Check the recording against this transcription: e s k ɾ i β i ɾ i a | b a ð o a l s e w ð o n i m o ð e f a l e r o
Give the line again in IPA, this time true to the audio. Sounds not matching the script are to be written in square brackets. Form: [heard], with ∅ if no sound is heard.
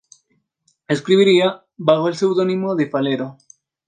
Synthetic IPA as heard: e s k ɾ i β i ɾ i a | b a [ɣ] o [e] l s e w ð o n i m o ð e f a l e [ɾ] o